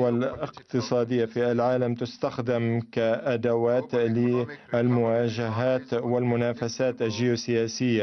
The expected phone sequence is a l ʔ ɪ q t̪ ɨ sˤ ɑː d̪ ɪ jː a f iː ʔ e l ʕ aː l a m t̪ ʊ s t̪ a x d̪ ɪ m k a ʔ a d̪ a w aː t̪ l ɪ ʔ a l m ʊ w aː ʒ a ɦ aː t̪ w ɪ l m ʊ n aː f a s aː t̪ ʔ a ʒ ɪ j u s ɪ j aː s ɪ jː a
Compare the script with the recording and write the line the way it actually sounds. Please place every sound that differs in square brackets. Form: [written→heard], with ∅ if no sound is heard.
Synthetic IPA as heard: a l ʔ ɪ q t̪ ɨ sˤ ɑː d̪ ɪ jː a f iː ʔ [e→a] l ʕ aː l a m t̪ ʊ s t̪ a x d̪ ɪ m k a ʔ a d̪ a w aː t̪ l ɪ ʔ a l m ʊ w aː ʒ a ɦ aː t̪ w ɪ l m ʊ n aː f a s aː t̪ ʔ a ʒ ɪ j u s ɪ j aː s ɪ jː a